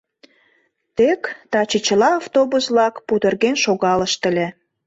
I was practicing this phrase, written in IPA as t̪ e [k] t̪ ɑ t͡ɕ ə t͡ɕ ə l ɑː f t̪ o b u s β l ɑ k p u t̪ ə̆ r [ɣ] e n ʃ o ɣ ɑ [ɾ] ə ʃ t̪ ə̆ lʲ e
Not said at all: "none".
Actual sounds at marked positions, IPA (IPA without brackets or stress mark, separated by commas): k, ɣ, l